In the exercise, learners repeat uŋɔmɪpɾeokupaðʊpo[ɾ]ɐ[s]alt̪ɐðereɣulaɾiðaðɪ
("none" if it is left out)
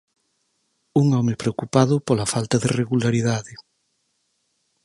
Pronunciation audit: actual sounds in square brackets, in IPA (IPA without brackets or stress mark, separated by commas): l, f